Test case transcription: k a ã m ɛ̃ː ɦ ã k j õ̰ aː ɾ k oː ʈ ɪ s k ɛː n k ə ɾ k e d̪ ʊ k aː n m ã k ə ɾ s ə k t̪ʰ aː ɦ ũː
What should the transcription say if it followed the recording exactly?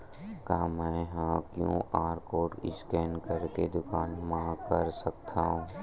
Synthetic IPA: k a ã m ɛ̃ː ɦ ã k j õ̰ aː ɾ k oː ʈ ɪ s k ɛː n k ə ɾ k e d̪ ʊ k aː n m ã k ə ɾ s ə k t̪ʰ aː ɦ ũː